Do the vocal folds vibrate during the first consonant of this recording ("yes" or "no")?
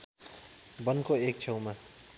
yes